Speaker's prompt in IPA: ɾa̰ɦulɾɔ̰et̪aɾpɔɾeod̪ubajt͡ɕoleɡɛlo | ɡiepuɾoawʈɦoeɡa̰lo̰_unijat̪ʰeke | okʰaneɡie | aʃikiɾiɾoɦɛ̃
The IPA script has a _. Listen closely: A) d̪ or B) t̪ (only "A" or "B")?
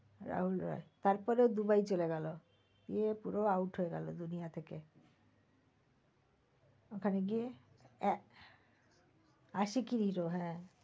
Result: A